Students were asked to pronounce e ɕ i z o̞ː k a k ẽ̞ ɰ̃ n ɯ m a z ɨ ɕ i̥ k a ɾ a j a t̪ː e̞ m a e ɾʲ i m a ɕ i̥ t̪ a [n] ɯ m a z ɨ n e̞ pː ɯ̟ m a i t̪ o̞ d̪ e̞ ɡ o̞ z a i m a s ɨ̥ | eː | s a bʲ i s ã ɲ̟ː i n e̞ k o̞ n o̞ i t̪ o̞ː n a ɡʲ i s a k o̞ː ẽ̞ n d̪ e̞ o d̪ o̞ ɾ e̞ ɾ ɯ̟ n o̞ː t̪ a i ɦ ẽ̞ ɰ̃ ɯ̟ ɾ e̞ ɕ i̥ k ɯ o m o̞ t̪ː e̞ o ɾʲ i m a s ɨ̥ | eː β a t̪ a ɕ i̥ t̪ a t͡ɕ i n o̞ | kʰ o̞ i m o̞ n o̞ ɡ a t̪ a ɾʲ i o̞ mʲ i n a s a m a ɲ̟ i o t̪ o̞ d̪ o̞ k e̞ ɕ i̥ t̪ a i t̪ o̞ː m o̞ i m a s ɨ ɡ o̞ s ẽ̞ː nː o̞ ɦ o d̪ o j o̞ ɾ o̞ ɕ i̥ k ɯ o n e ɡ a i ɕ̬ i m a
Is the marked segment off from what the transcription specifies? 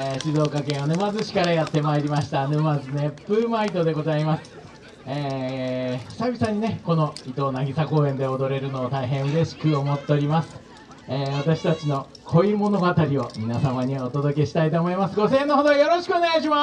no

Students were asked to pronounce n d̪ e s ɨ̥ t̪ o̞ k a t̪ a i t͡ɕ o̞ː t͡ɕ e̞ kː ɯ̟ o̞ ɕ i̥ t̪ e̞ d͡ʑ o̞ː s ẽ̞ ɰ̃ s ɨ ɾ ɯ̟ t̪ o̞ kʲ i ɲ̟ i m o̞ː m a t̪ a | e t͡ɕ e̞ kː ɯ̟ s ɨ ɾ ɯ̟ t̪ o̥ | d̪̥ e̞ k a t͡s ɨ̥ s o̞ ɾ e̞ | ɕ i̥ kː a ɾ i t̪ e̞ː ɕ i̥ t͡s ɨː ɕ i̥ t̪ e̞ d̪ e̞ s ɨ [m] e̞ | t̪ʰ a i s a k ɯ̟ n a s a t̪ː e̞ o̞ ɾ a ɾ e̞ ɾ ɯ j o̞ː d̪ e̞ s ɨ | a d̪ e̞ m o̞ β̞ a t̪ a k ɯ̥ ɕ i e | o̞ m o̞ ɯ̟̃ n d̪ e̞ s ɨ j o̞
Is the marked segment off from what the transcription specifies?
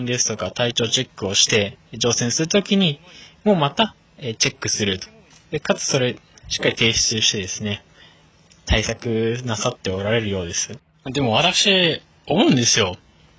yes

